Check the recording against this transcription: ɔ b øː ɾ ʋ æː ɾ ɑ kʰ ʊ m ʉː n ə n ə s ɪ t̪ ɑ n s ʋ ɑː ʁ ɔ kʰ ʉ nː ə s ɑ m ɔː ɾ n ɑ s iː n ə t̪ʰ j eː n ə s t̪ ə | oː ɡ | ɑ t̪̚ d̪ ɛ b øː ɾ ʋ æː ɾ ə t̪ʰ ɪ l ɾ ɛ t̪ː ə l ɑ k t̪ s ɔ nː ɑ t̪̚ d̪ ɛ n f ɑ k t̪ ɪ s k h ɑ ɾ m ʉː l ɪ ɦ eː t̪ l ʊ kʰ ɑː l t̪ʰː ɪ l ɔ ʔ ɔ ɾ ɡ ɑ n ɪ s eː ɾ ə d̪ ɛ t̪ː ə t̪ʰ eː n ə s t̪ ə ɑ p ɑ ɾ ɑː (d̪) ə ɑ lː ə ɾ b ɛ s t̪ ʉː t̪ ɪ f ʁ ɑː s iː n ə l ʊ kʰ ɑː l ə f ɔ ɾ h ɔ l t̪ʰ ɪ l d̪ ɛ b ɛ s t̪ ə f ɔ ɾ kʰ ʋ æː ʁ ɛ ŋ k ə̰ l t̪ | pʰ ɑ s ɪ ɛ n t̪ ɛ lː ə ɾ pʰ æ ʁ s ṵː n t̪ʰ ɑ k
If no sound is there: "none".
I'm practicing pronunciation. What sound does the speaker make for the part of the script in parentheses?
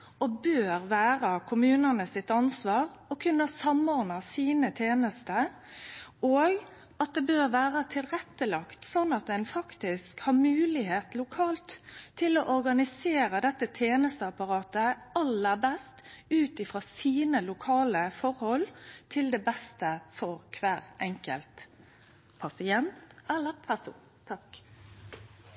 t̪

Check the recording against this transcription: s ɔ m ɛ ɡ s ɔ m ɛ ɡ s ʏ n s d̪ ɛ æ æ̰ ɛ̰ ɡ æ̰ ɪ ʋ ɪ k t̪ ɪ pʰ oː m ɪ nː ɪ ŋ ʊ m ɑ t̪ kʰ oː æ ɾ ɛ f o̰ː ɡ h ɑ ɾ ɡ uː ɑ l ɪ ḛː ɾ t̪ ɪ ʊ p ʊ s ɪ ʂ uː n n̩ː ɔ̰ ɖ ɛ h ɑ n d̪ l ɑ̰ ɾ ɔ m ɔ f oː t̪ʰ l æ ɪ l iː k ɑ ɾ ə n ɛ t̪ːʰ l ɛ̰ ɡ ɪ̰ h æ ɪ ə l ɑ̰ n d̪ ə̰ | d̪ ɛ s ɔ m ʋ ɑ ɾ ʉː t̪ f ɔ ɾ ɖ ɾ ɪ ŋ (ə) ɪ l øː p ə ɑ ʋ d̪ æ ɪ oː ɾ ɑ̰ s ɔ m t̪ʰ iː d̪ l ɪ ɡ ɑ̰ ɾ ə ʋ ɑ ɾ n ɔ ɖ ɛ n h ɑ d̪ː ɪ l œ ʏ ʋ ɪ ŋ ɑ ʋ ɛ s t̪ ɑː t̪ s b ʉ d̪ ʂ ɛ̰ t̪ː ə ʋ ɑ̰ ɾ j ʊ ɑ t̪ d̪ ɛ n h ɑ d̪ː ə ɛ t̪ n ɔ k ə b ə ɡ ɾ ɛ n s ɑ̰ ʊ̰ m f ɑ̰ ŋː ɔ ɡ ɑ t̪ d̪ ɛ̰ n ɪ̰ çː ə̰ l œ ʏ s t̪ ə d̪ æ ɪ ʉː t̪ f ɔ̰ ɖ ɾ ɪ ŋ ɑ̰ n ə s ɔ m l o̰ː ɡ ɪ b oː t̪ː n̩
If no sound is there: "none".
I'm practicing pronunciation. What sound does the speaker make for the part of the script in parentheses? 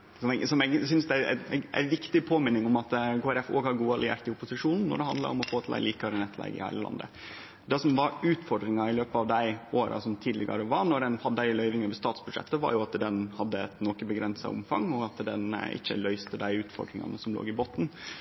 ɑ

